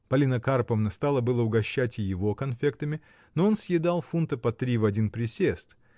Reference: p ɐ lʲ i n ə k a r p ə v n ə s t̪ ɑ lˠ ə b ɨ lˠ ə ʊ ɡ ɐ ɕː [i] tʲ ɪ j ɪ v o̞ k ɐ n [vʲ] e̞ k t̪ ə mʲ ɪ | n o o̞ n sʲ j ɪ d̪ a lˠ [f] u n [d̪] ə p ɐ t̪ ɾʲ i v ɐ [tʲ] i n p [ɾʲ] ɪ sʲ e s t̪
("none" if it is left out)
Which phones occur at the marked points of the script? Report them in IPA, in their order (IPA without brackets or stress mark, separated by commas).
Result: æ, fʲ, f, t̪, dʲ, ɾʲ